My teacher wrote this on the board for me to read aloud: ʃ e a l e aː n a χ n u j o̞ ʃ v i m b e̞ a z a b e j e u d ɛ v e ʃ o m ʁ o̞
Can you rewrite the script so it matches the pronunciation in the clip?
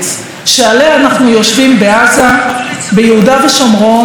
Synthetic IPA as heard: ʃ e a l e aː n a χ n u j o̞ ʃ v i m b e̞ a z a b e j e u d a v e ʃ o m ʁ o̞